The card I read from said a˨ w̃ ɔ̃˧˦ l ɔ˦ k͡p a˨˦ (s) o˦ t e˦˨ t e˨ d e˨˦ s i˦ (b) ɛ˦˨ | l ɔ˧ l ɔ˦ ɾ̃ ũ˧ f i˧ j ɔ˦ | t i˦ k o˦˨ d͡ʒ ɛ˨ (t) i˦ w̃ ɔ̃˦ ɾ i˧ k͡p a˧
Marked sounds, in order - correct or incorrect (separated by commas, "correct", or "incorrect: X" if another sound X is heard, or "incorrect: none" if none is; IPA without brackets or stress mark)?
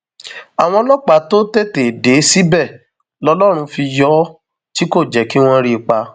incorrect: t, correct, incorrect: k